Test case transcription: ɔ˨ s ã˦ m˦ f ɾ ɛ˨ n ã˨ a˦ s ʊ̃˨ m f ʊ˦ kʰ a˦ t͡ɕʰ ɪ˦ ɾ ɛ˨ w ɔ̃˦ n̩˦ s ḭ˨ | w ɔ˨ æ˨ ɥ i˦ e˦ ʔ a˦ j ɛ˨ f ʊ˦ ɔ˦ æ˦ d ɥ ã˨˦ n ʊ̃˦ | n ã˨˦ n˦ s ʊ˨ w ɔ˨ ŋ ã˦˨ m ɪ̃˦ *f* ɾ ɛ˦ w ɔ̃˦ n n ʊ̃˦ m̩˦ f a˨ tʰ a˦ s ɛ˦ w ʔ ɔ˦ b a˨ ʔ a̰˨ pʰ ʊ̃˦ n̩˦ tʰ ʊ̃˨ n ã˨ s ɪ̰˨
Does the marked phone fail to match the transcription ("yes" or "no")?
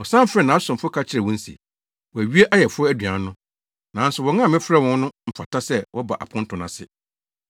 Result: no